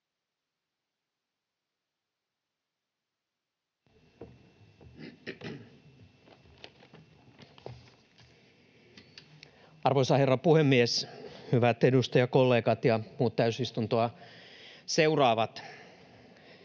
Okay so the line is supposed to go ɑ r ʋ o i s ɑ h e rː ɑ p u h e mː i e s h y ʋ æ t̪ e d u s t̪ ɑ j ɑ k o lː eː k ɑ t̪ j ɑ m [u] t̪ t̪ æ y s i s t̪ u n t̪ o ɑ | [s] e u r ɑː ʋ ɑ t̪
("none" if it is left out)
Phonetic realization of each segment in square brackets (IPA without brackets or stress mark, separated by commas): uː, s